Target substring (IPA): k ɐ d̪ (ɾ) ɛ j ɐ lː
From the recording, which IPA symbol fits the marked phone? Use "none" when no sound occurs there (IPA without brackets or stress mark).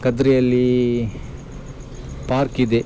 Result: ɾ